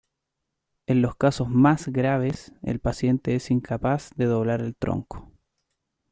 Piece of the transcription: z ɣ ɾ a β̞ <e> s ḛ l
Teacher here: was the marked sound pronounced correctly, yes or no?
yes